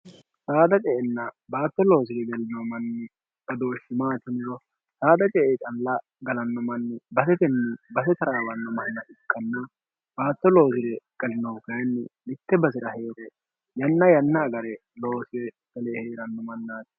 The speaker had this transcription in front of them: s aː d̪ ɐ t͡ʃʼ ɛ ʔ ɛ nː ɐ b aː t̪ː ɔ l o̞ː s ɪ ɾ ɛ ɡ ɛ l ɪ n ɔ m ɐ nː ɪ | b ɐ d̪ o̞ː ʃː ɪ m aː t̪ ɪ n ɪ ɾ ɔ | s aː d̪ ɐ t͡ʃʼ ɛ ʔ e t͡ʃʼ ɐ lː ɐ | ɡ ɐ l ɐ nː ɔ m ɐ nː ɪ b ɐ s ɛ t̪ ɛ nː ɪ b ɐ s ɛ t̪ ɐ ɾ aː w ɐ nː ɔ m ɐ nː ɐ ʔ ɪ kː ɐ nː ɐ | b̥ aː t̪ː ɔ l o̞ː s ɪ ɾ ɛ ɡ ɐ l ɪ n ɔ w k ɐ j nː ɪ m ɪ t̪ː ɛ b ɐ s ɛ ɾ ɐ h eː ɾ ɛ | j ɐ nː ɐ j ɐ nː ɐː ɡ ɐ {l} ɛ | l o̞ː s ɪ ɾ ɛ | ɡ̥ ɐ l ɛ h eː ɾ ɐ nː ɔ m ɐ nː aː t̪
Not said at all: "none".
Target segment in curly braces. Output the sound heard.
ɾ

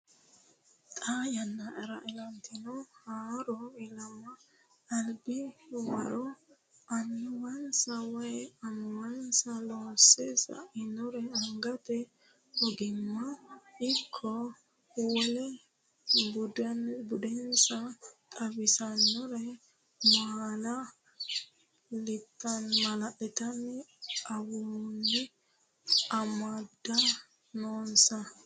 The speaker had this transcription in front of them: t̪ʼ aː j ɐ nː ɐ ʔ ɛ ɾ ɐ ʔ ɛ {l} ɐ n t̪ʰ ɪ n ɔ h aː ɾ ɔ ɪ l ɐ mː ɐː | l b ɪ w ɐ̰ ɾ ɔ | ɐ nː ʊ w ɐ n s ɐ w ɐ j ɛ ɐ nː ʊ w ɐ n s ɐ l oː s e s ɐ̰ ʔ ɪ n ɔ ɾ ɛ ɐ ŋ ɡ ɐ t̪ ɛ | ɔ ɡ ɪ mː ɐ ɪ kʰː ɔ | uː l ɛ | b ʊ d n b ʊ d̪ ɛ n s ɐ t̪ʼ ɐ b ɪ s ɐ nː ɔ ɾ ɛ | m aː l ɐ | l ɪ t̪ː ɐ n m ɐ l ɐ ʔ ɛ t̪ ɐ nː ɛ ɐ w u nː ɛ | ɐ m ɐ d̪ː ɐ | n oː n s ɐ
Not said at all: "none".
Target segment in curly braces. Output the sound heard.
l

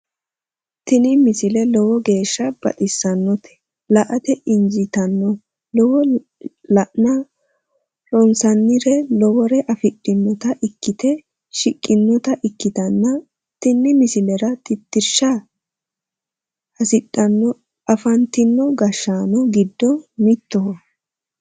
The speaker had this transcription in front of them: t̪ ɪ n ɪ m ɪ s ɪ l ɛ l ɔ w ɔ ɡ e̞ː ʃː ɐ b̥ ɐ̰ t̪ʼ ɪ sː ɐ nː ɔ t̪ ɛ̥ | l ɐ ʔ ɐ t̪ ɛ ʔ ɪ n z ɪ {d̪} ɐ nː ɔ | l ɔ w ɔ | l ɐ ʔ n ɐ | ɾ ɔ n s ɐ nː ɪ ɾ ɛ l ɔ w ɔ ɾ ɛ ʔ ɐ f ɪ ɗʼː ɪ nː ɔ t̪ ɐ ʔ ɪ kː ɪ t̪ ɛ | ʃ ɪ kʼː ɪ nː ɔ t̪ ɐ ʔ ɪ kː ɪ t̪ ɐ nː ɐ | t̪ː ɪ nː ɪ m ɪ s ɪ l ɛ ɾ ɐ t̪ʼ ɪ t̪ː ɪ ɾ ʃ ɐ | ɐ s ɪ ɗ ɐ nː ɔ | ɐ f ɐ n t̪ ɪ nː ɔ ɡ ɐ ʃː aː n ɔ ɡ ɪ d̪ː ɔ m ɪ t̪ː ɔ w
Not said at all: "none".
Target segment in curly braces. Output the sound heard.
t̪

